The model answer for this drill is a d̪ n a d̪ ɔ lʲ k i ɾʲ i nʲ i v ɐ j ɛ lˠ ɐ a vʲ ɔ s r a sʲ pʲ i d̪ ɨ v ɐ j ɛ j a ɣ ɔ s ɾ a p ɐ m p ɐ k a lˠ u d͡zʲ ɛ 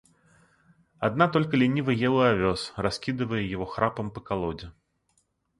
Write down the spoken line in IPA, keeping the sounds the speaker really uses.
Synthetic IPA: a d̪ n a t̪ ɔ lʲ k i lʲ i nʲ i v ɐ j ɛ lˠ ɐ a vʲ ɔ s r a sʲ kʲ i d̪ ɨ v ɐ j ɛ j a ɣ ɔ x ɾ a p ɐ m p ɐ k a lˠ ɔ d͡zʲ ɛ